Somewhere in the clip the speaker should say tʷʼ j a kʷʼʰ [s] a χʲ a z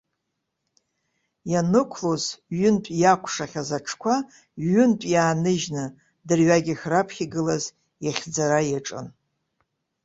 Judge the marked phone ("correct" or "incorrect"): incorrect